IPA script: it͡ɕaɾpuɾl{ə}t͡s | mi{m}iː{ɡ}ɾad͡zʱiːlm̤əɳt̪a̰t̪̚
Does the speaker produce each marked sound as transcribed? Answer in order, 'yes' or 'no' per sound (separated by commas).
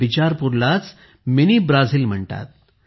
no, no, no